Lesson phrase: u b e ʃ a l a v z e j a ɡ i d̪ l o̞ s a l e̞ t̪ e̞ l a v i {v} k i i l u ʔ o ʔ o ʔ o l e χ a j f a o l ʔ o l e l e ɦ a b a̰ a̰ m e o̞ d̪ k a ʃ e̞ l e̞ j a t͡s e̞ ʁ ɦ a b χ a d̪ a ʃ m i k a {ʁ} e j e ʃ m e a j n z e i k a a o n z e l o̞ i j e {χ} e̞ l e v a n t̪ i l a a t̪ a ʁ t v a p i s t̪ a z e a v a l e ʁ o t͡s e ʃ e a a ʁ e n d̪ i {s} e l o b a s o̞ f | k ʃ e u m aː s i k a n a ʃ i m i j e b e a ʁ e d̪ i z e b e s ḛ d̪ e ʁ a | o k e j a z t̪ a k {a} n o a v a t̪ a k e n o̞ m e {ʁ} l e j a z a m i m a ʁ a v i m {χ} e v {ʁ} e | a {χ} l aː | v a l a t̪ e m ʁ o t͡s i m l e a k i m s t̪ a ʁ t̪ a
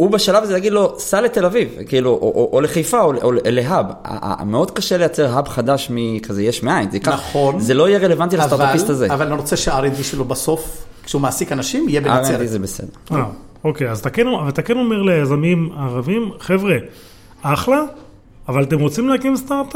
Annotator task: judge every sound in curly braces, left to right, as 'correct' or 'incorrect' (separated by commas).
correct, incorrect, incorrect, incorrect, incorrect, correct, correct, correct, correct